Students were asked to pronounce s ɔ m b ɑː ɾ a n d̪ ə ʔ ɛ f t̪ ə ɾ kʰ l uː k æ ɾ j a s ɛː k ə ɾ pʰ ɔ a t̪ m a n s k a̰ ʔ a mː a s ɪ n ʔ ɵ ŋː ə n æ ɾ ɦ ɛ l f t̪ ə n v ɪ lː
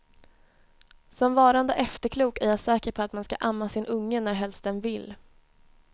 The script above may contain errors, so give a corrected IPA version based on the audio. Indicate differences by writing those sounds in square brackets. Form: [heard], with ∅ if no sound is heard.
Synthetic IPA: s ɔ m [v] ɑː ɾ a n d̪ ə ʔ ɛ f t̪ ə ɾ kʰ l uː k æ ɾ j a s ɛː k ə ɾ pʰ ɔ a t̪ m a n s k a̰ ʔ a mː a s ɪ n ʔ ɵ ŋː ə n æ ɾ ɦ ɛ l [s] t̪ ə n v ɪ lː